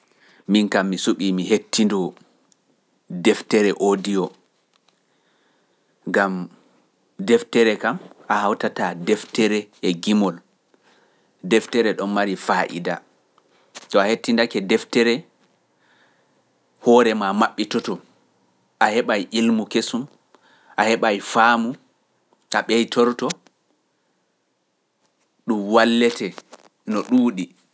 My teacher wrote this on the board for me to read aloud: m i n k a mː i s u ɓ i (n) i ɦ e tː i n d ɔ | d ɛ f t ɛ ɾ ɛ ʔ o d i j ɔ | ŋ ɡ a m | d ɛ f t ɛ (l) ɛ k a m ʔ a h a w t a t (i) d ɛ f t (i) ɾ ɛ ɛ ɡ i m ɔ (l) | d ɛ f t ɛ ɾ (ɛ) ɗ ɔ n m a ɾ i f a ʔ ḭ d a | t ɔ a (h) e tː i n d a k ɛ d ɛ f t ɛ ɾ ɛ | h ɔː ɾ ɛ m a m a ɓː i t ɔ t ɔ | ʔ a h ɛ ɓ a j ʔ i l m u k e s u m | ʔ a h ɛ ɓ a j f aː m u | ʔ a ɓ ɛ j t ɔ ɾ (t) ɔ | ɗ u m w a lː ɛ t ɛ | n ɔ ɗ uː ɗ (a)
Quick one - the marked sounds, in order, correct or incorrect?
incorrect, incorrect, incorrect, incorrect, correct, correct, correct, correct, incorrect

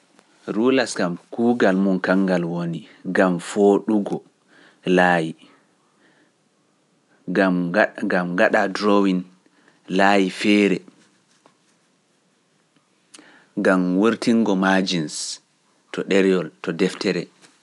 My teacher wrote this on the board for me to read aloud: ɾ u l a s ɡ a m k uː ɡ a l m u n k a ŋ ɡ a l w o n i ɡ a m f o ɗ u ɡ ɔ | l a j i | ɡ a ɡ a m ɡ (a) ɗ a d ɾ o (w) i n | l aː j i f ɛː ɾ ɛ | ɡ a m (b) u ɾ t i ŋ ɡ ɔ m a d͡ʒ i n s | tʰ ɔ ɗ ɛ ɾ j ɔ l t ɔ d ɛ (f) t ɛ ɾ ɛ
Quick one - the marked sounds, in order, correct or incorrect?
correct, correct, incorrect, correct

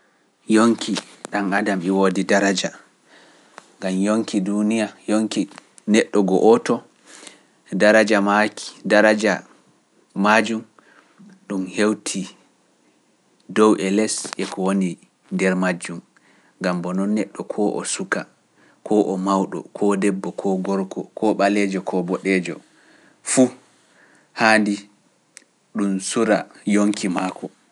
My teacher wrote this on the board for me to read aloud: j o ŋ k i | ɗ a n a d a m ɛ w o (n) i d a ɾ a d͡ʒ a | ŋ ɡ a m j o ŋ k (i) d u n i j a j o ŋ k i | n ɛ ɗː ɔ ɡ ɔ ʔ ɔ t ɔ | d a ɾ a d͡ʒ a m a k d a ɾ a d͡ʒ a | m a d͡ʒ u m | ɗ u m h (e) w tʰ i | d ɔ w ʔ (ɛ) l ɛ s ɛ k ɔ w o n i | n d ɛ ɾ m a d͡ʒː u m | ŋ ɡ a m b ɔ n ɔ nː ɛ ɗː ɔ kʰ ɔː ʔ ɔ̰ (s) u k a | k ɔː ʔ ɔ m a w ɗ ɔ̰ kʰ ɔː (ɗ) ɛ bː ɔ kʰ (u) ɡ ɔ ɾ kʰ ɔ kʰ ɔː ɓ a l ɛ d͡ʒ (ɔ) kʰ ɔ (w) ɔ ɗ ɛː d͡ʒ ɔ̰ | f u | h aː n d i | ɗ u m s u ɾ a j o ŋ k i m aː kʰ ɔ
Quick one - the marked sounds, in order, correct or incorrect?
incorrect, correct, correct, correct, correct, incorrect, incorrect, correct, incorrect

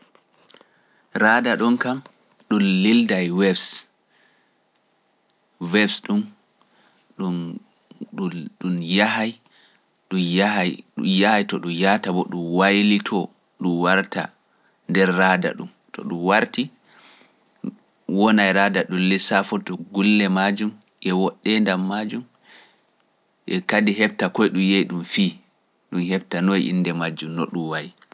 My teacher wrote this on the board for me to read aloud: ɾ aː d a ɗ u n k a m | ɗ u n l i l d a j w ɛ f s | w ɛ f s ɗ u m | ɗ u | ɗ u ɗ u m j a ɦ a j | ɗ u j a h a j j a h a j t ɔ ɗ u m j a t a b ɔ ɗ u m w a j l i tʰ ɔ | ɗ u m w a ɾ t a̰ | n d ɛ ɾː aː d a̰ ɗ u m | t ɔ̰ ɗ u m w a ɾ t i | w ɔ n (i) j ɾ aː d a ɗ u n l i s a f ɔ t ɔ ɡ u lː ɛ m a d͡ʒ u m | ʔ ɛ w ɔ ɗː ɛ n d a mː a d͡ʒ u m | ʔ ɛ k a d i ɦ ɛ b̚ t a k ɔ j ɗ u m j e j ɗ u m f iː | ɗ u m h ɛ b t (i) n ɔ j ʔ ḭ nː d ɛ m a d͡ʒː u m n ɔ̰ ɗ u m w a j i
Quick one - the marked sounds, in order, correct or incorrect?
incorrect, incorrect

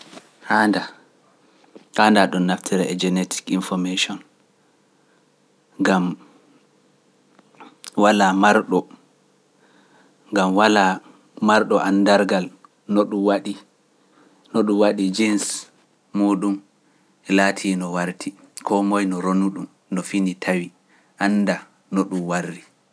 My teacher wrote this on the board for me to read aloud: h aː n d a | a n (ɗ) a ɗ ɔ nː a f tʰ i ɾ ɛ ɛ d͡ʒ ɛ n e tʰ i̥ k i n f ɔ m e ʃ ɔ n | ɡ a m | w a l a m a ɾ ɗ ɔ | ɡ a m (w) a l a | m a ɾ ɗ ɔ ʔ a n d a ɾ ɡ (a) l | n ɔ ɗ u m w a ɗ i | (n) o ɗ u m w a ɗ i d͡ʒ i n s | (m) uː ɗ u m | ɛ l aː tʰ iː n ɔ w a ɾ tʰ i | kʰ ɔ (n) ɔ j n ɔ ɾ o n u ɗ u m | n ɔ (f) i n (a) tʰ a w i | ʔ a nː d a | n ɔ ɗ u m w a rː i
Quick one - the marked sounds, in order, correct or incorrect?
incorrect, correct, correct, correct, correct, incorrect, correct, incorrect

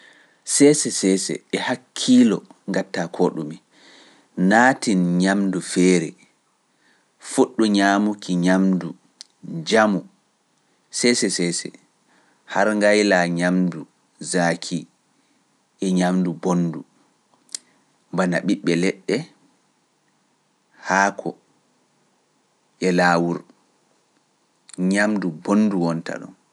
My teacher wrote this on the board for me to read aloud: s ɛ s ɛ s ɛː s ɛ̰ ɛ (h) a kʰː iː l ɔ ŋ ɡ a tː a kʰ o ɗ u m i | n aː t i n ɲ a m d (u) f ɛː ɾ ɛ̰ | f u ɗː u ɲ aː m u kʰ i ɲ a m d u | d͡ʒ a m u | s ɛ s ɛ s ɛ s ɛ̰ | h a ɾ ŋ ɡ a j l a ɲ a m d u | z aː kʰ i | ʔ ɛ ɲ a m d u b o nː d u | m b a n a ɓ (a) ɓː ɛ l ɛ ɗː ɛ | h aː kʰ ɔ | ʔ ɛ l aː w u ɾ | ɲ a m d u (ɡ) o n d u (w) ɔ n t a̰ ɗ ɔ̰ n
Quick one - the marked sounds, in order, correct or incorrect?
correct, correct, incorrect, incorrect, correct

